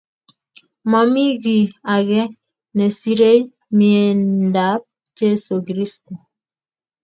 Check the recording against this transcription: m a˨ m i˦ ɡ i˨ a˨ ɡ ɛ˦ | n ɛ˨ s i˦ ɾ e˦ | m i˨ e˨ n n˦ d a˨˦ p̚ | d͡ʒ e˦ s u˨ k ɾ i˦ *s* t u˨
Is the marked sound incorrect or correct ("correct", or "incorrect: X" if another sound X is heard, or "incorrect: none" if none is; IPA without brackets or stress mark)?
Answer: correct